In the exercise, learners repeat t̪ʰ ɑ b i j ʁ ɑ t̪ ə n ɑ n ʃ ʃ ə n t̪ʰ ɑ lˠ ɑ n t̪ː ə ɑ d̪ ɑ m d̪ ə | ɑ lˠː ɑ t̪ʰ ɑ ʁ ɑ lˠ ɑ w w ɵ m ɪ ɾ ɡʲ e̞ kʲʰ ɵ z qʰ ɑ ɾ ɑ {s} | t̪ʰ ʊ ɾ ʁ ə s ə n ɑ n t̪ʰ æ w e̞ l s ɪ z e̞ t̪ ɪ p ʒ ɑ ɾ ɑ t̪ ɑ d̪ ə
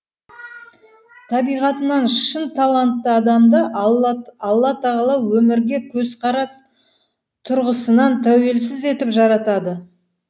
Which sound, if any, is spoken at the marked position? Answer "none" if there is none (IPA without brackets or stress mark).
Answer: s